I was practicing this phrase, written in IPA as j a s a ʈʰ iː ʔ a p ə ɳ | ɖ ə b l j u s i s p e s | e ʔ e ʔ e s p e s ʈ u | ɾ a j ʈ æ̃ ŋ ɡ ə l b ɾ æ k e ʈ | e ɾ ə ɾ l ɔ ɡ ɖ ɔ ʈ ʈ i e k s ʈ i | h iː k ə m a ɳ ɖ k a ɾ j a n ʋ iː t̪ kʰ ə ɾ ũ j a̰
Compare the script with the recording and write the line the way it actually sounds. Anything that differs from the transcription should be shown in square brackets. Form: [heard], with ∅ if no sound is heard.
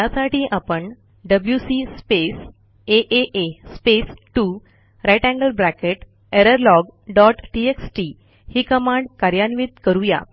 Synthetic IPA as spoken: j a s a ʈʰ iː ʔ a p ə ɳ | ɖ ə b l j u s i s p e s | e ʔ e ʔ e s p e s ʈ u | ɾ a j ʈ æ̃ ŋ ɡ ə l b ɾ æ k e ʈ | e ɾ ə ɾ l ɔ ɡ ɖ ɔ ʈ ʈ i e k s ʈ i | h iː k ə m a ɳ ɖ k a ɾ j a n ʋ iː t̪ [k] ə ɾ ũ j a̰